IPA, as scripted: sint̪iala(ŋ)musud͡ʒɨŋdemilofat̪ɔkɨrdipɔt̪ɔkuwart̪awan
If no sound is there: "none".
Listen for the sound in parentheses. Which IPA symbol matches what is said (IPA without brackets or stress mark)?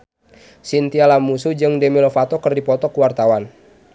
none